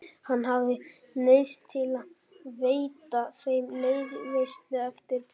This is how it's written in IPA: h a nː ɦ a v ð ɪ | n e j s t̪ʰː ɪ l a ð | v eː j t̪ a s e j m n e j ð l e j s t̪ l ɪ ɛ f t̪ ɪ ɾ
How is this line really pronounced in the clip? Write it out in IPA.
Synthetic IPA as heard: h a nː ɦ a v ð ɪ | n e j s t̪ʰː ɪ l a ð | v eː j t̪ a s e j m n e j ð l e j s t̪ l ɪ ɛ f t̪ ɪ ɾ